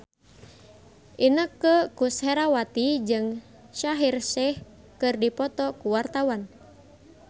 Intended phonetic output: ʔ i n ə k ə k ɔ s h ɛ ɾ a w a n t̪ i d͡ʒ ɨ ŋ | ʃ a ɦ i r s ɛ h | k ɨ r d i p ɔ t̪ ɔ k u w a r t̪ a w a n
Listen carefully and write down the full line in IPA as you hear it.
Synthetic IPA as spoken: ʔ i n ə k ə k u s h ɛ ɾ a w a t̪ i d͡ʒ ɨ ŋ | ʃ a ɦ i r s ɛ h | k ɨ r d i p ɔ t̪ ɔ k u w a r t̪ a w a n